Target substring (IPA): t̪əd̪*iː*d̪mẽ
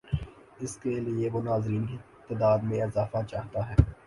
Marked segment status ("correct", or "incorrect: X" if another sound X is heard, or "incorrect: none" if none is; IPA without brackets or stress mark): incorrect: aː